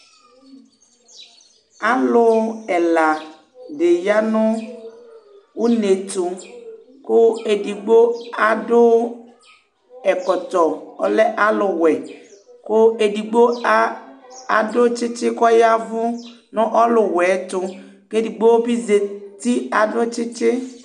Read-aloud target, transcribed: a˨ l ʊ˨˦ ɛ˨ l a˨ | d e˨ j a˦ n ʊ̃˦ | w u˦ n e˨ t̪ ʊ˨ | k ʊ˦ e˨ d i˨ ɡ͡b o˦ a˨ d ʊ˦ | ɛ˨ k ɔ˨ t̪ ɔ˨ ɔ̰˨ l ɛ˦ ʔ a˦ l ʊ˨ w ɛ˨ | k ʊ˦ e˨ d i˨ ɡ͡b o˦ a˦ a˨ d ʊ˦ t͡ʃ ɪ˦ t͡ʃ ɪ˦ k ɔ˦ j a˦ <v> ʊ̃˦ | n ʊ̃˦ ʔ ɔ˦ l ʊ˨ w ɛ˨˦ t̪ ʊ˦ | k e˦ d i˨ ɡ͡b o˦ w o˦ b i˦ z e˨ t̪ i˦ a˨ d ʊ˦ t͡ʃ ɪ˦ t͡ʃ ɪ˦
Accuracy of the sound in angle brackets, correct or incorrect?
correct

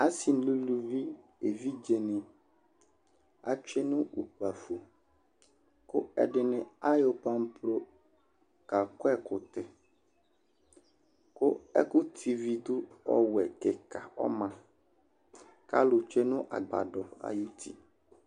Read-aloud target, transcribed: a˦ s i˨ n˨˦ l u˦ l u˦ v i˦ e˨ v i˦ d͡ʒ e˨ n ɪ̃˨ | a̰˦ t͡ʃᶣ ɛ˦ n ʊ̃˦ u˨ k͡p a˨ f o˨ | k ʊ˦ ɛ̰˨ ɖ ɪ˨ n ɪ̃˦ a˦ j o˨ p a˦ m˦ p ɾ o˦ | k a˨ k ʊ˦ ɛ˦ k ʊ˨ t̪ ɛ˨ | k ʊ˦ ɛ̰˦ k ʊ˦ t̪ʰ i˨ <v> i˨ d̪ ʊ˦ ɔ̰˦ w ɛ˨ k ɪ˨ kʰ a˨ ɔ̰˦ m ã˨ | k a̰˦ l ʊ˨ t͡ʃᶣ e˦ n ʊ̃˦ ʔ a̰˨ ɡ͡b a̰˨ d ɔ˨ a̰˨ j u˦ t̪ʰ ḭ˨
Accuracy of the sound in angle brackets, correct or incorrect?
correct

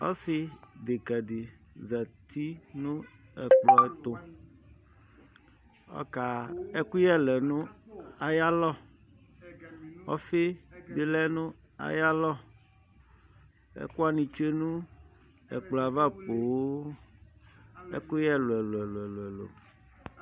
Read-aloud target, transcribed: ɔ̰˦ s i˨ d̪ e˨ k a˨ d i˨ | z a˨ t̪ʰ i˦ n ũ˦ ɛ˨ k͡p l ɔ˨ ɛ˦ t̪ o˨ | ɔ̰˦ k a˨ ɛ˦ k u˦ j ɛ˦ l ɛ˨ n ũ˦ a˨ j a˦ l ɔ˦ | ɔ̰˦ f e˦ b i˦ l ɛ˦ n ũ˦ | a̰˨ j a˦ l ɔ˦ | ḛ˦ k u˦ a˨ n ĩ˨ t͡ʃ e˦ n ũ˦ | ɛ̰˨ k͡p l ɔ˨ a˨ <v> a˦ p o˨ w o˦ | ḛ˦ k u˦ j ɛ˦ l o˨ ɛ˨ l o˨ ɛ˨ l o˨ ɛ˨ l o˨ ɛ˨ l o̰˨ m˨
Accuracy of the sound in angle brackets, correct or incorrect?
correct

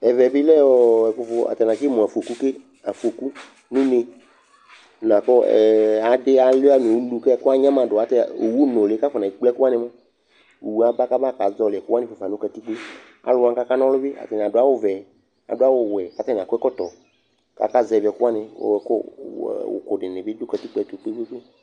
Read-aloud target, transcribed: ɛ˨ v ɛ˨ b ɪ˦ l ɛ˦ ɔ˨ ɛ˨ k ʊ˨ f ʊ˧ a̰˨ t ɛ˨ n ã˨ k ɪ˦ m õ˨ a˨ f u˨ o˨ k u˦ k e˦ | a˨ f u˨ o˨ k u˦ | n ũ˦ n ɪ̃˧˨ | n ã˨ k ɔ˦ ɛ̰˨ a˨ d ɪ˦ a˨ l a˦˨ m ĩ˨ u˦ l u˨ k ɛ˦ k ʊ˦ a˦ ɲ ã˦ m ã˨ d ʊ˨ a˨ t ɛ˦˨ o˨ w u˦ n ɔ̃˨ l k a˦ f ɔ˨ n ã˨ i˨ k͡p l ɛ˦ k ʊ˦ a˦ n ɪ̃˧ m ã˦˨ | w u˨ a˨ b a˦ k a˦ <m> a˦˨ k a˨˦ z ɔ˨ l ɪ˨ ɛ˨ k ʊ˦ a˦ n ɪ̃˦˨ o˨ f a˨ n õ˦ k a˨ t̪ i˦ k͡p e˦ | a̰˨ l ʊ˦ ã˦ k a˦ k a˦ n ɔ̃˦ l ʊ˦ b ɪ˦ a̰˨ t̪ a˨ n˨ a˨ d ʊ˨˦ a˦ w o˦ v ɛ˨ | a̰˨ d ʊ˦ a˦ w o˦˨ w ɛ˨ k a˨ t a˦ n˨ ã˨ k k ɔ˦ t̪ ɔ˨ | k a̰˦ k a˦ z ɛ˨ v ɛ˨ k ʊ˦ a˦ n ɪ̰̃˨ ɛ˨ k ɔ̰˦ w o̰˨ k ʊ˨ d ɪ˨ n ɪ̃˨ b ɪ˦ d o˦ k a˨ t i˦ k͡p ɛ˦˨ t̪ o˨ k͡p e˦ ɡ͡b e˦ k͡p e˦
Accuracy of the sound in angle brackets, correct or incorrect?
incorrect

